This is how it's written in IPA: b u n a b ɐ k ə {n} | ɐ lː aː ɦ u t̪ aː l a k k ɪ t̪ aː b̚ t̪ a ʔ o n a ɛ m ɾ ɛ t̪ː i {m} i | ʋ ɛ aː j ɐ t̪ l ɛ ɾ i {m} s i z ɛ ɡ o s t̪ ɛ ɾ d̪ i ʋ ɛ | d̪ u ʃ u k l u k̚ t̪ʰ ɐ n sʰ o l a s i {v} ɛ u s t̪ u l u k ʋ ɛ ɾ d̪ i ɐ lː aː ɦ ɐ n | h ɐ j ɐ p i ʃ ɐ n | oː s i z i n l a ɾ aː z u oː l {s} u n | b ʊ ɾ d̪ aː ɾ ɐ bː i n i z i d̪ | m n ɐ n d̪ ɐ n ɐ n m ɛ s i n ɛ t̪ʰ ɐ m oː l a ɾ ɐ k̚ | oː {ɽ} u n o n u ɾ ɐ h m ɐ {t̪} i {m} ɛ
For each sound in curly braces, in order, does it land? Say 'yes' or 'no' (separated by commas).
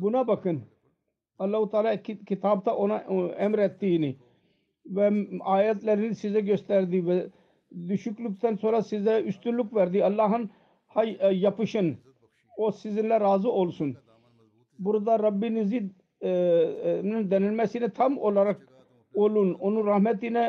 yes, no, no, no, yes, no, yes, no